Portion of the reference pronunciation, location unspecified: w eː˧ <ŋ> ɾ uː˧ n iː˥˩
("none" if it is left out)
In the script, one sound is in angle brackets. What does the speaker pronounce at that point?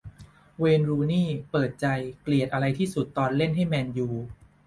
n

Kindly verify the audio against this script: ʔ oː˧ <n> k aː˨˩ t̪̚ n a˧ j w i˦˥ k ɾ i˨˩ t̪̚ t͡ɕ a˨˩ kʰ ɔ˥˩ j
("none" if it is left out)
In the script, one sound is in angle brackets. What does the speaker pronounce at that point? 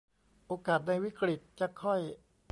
none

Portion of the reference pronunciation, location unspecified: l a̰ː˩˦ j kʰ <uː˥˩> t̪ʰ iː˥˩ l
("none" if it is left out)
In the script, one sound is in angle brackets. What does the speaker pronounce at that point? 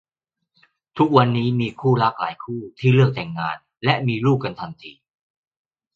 uː˥˩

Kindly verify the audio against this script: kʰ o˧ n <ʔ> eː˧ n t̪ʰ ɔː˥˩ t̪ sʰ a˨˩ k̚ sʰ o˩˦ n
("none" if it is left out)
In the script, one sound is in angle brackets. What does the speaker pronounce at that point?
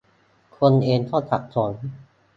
ʔ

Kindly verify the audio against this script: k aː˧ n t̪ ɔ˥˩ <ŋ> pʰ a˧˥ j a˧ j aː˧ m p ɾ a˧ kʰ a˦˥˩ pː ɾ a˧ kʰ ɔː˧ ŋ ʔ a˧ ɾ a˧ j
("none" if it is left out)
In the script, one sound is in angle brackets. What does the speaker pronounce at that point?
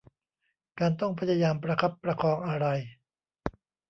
ŋ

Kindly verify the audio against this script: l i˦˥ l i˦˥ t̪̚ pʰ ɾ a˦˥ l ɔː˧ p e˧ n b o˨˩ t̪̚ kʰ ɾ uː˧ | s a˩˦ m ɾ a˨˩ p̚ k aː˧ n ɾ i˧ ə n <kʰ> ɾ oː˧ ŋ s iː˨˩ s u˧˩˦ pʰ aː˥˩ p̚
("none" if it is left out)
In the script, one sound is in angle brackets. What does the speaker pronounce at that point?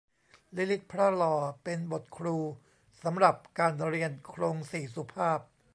kʰ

